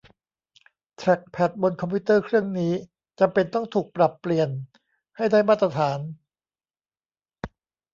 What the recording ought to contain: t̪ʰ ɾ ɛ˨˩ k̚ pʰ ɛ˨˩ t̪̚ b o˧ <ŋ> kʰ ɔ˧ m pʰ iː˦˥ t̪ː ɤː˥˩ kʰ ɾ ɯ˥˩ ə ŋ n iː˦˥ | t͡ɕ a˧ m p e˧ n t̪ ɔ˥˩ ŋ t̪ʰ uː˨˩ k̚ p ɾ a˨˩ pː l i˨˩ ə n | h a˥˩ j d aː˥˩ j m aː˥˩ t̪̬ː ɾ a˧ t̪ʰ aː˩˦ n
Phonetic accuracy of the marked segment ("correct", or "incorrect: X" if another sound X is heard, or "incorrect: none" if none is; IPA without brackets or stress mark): incorrect: n